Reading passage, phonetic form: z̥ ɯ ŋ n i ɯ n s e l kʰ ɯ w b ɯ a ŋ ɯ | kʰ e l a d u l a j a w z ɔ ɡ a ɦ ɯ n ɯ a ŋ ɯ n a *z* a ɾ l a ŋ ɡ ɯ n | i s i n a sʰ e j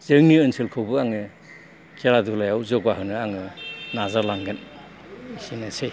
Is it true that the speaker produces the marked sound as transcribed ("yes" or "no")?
yes